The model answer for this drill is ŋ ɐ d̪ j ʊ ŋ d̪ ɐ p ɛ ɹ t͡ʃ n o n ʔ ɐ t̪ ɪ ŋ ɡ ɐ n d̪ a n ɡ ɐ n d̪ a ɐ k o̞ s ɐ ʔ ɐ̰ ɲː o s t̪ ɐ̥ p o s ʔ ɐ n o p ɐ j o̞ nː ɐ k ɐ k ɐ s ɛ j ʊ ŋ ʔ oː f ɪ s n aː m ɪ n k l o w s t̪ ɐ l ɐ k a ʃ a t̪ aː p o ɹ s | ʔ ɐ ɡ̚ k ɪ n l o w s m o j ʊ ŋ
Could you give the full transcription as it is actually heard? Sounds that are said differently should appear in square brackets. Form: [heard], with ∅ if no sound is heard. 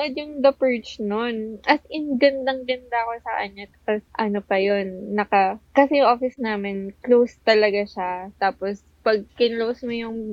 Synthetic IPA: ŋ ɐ d̪ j ʊ ŋ d̪ ɐ p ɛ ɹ t͡ʃ n o n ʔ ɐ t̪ ɪ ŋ ɡ ɐ n d̪ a [ŋ] ɡ ɐ n d̪ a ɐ k o̞ s ɐ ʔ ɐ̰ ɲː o [∅] t̪ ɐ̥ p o s ʔ ɐ n o p ɐ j o̞ nː ɐ k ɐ k ɐ s ɛ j ʊ ŋ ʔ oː f ɪ s n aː m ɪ n k l o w s t̪ ɐ l ɐ [ɡ] a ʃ a t̪ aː p o [∅] s | [p] ɐ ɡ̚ k ɪ n l o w s m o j ʊ ŋ